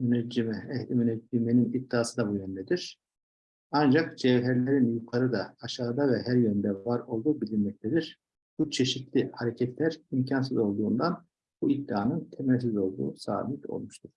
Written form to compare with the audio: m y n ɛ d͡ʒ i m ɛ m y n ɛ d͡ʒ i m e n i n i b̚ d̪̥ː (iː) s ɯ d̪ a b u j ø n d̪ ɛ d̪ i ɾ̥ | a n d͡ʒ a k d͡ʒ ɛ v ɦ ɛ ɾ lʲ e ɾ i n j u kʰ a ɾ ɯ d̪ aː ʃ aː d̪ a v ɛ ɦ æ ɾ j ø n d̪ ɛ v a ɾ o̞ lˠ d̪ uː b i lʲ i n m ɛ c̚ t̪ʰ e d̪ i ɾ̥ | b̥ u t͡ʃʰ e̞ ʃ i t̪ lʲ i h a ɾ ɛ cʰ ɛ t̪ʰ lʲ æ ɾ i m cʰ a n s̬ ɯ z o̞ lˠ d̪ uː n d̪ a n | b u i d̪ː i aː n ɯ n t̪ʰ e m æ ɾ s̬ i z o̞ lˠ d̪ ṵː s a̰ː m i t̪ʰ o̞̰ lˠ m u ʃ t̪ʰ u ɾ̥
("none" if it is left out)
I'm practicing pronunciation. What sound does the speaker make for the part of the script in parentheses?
aː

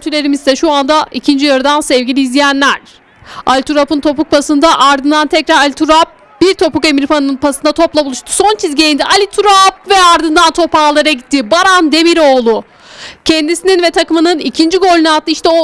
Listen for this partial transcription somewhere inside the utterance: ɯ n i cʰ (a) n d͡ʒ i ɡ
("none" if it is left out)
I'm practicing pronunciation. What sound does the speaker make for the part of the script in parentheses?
i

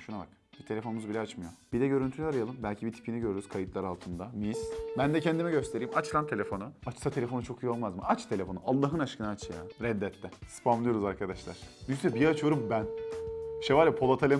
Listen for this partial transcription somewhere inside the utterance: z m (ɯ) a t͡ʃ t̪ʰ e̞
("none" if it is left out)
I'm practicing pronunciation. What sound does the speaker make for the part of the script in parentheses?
ɯ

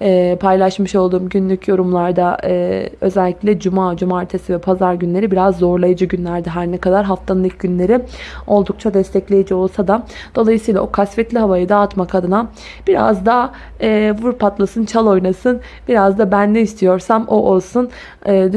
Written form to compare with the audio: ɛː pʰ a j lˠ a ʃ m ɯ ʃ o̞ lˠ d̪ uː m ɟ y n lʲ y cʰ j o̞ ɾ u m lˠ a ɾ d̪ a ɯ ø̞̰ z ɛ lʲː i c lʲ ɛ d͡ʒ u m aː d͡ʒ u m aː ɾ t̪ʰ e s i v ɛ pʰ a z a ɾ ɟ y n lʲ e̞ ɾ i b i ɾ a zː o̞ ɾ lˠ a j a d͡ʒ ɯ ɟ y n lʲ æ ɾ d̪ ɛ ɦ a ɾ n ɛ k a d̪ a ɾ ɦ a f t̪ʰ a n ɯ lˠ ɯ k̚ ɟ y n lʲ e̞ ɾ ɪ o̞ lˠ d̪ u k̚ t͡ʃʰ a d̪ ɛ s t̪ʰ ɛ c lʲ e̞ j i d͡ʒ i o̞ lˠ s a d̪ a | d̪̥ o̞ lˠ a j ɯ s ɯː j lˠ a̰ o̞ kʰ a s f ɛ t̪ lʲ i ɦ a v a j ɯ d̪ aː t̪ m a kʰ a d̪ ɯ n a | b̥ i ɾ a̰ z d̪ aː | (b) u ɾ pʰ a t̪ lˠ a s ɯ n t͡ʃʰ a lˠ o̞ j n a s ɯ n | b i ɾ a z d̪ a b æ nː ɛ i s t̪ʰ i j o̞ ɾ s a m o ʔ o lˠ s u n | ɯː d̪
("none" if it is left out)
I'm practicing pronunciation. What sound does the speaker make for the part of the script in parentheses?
v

